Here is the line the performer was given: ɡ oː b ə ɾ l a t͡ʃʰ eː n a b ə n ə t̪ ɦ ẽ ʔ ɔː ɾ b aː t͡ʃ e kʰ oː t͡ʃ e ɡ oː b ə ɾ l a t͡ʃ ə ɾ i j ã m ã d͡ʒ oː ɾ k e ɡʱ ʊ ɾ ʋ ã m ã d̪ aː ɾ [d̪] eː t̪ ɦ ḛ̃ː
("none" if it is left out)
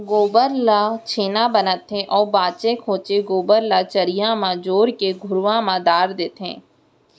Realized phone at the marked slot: d̪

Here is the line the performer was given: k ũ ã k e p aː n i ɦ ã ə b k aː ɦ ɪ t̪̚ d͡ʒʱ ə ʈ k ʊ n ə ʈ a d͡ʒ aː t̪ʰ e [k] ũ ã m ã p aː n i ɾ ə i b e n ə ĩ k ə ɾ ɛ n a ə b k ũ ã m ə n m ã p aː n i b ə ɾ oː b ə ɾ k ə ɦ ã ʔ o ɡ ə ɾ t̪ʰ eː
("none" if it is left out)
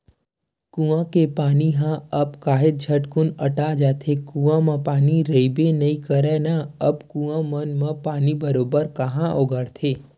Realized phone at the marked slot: k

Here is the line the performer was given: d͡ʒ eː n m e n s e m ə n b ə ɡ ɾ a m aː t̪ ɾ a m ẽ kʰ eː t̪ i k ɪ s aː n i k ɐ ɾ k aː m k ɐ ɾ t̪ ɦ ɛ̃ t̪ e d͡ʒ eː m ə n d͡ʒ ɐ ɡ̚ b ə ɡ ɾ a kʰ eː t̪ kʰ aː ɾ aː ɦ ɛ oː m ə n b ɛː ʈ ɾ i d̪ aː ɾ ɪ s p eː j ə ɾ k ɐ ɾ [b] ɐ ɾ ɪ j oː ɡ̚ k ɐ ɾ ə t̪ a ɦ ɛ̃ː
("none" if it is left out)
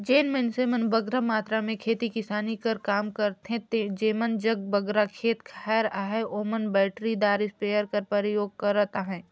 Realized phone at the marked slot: p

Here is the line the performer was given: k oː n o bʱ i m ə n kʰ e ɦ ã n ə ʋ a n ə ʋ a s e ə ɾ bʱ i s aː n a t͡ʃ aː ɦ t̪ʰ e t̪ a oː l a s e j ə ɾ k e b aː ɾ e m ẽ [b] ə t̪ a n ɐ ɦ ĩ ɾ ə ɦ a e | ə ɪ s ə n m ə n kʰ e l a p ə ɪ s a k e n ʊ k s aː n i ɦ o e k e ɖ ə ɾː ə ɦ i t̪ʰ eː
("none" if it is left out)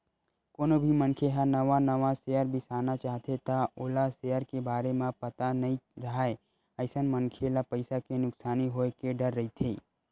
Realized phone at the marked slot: p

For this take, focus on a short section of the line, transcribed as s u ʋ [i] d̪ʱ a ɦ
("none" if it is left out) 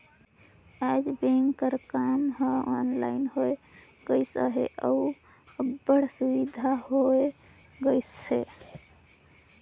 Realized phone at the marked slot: i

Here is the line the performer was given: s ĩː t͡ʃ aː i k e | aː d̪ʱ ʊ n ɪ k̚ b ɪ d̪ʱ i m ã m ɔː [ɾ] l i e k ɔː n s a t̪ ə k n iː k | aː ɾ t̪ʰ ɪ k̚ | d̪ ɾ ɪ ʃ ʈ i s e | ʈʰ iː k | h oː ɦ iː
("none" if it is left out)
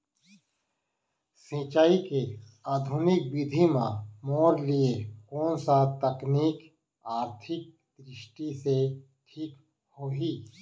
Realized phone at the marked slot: ɾ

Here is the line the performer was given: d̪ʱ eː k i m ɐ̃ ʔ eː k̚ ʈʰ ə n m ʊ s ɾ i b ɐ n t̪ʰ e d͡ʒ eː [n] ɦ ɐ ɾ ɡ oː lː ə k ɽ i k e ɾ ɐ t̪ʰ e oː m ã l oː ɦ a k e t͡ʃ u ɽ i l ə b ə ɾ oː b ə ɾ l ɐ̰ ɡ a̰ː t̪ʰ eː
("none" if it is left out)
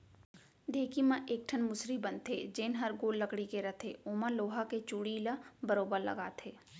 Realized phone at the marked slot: n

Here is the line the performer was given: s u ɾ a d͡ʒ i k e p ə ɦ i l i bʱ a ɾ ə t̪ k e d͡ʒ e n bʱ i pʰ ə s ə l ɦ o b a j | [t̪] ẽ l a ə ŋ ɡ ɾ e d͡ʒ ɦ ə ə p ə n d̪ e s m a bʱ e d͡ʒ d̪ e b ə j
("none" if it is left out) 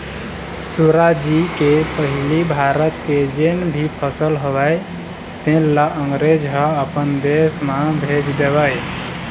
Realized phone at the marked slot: t̪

